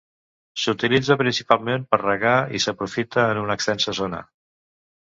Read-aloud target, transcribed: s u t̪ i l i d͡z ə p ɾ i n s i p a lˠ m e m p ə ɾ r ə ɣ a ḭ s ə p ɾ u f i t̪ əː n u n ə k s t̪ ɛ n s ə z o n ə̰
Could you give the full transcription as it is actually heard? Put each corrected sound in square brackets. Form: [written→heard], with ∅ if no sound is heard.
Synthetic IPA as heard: s u t̪ i l i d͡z ə p ɾ i n s i p a lˠ m e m p ə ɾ r ə ɣ a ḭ s ə p ɾ u f i t̪ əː n u n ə k s t̪ ɛ n s ə z o n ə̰